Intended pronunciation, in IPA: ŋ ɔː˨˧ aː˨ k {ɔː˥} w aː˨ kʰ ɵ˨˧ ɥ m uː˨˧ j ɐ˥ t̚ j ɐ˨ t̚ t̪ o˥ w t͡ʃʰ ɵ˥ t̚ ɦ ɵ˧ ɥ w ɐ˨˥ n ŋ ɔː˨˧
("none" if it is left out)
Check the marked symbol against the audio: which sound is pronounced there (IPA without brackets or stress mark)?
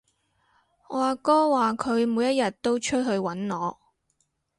ɔː˥